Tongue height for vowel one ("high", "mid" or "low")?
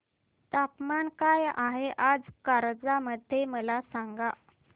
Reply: low